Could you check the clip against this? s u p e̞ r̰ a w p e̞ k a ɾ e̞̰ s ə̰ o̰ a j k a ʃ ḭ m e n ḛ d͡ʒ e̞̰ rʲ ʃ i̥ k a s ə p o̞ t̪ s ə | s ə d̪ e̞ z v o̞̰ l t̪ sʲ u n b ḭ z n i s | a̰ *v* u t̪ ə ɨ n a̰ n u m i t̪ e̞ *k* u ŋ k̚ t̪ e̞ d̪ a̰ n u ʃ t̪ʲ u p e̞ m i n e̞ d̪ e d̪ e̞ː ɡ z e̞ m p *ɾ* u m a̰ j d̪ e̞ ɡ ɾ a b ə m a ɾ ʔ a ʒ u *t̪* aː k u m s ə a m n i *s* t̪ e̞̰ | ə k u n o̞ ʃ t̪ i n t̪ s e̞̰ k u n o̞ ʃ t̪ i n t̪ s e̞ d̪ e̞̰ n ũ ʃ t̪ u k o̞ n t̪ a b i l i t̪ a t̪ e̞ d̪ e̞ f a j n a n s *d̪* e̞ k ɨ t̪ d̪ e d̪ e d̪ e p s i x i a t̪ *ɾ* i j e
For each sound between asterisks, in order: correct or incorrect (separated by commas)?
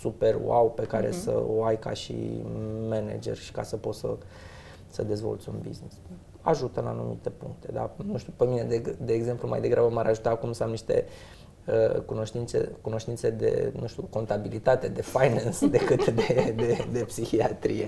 incorrect, incorrect, incorrect, correct, incorrect, correct, correct